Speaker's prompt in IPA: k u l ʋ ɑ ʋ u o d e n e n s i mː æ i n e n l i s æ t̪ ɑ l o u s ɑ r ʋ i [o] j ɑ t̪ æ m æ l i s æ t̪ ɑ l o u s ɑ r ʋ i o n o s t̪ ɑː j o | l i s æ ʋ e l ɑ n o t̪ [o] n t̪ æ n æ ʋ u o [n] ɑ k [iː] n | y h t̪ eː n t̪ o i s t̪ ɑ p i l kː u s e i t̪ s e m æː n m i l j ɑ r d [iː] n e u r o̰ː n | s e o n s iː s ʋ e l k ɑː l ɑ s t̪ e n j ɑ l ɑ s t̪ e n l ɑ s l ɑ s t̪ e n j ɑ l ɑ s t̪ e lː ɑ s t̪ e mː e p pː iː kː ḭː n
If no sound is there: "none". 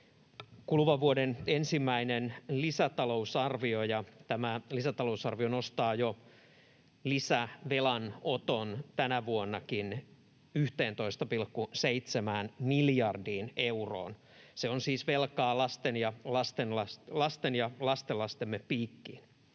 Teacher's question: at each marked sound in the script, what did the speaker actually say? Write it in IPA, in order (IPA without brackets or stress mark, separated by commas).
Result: o, o, nː, i, iː